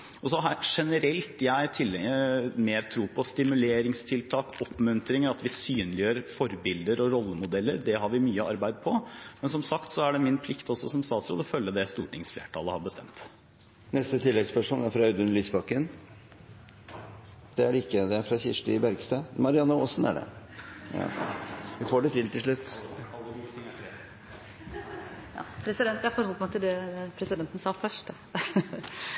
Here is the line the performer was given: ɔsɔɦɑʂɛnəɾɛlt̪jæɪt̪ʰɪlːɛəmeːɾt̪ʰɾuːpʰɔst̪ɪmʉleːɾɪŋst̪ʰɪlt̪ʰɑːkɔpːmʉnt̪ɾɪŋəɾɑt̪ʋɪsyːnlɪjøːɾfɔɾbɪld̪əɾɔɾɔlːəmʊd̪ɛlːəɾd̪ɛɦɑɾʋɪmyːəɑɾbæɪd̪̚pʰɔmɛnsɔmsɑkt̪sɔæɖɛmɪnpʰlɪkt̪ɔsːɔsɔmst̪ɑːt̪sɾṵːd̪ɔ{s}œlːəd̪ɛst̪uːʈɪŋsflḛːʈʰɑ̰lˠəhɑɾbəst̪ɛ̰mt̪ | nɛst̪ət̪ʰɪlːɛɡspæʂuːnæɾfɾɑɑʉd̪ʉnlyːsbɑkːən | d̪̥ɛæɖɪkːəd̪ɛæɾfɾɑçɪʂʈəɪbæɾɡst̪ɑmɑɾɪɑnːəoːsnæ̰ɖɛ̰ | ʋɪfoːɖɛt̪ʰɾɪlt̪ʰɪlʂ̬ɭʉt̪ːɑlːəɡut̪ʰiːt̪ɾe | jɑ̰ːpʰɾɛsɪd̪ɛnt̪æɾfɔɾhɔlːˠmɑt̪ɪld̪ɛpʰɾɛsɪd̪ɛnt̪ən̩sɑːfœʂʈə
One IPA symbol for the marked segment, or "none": f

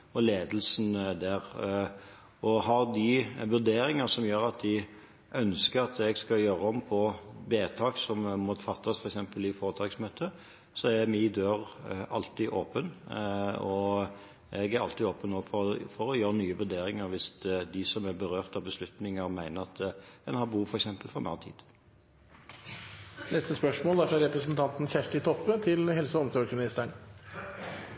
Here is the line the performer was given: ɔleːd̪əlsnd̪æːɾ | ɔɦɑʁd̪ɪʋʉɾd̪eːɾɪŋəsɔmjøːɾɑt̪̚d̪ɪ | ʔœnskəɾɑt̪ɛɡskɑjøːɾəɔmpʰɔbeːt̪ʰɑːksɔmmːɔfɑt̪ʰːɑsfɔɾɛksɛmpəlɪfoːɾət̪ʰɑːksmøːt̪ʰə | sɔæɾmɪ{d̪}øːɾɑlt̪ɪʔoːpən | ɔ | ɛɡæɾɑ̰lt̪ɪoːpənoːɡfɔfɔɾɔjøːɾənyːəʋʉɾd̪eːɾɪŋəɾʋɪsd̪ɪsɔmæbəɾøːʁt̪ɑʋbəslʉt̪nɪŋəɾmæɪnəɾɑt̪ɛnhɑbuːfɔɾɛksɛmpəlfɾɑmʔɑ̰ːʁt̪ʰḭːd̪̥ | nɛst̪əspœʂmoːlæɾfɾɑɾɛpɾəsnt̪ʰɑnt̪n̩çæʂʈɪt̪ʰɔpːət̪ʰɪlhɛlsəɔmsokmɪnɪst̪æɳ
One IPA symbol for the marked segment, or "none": d̪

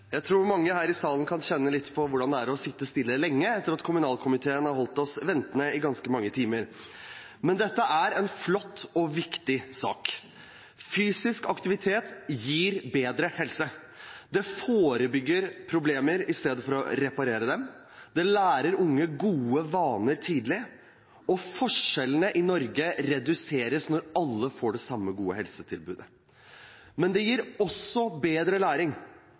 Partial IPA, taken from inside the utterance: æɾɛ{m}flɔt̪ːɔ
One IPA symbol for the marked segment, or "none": n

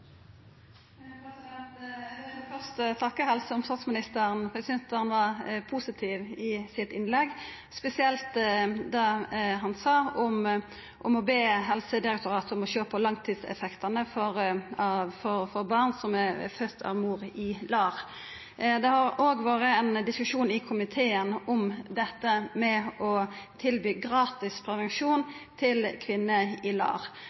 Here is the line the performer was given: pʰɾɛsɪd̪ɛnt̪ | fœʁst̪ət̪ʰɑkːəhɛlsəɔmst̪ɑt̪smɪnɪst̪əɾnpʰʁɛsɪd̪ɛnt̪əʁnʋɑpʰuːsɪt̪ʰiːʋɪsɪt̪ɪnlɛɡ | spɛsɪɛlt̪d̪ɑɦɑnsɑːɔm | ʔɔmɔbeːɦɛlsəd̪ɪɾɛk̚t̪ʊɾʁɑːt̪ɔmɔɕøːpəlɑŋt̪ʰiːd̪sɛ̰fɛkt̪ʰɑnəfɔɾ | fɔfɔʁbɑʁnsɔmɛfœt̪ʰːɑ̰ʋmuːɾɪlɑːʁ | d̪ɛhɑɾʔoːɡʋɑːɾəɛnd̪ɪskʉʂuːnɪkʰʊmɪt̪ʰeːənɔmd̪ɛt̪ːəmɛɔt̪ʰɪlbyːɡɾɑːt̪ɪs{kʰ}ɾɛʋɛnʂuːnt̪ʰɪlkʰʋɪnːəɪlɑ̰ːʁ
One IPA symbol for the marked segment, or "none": pʰ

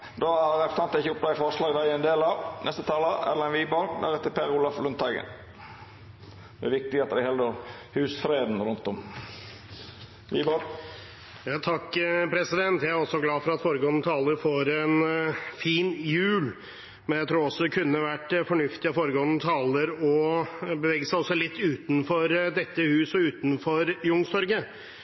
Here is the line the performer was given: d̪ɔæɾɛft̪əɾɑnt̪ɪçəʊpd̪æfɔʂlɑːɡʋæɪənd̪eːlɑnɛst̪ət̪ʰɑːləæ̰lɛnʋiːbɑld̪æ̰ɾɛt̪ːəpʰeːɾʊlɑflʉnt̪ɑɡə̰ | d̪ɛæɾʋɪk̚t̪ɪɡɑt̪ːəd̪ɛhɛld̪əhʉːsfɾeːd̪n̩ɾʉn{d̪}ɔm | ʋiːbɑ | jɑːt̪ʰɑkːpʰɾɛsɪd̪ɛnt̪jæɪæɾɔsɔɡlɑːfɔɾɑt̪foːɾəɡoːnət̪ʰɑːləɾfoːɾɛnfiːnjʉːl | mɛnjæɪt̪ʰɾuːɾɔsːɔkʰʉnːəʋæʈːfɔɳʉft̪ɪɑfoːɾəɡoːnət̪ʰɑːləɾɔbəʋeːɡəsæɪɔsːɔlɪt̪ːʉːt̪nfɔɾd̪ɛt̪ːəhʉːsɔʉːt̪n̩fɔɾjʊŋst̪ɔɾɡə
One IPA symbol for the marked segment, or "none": t̪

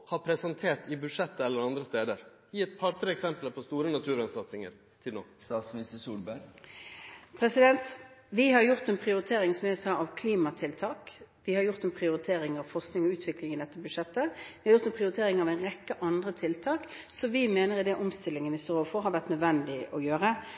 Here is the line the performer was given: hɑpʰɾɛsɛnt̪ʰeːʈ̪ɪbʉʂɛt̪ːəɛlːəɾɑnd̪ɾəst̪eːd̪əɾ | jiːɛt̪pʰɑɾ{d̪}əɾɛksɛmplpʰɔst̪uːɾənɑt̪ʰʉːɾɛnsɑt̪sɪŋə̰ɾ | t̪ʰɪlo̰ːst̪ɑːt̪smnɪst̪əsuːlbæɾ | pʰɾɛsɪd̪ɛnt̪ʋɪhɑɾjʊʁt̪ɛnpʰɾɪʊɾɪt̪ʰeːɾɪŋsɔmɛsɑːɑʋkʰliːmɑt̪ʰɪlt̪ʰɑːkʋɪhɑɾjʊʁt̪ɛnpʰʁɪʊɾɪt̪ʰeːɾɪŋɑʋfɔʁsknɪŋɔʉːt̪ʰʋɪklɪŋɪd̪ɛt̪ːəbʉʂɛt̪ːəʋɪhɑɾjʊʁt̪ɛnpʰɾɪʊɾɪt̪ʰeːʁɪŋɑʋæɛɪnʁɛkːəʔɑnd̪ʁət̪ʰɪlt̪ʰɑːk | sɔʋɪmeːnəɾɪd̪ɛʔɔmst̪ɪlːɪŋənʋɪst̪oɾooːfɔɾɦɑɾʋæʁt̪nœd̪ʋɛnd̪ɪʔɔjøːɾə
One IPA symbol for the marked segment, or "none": t̪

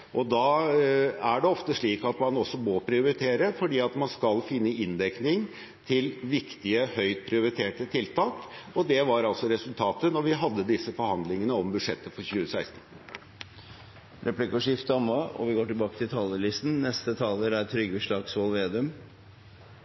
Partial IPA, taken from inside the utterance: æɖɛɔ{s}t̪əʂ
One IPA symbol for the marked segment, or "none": f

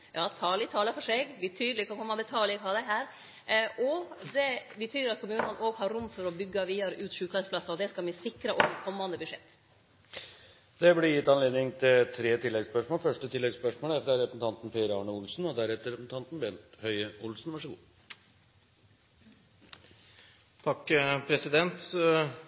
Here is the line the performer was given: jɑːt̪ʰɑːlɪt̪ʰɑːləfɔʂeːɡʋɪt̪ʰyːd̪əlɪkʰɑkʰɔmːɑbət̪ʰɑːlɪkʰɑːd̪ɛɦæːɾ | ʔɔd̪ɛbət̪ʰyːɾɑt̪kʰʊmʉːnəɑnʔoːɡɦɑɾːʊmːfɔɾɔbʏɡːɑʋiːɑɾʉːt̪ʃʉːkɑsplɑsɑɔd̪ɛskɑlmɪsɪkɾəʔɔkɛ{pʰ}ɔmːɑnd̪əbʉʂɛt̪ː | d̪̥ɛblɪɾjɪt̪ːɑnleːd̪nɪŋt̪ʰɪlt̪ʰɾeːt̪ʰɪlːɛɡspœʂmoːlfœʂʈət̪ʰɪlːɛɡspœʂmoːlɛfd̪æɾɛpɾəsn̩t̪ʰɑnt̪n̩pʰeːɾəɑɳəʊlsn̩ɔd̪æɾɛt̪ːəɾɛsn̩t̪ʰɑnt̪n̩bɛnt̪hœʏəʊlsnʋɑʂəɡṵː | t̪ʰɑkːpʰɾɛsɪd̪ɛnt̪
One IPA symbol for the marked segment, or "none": kʰ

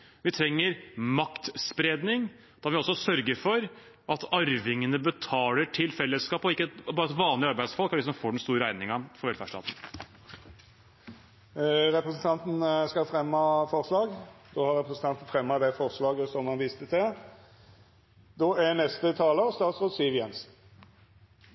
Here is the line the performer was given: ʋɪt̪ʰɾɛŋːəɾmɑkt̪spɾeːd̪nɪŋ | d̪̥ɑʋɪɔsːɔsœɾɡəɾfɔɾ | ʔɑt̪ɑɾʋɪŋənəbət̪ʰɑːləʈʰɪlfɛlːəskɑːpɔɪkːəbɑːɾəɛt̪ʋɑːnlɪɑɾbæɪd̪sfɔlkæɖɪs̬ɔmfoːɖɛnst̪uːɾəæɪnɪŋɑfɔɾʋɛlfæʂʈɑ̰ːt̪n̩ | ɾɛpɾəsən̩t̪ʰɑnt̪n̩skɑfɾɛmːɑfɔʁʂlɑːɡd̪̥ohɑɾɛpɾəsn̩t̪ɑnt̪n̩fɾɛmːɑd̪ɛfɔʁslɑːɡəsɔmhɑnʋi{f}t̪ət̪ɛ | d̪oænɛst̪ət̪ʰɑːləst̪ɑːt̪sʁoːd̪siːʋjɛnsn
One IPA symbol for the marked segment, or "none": s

